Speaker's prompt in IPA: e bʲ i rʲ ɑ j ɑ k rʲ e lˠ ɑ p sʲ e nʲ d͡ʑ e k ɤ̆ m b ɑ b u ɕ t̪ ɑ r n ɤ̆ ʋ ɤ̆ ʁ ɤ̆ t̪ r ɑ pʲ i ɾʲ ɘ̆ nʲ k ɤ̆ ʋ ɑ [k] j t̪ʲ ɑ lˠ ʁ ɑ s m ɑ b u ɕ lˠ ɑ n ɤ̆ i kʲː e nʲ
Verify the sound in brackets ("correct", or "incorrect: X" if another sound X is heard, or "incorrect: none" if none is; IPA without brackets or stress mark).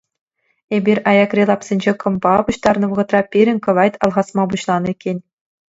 incorrect: none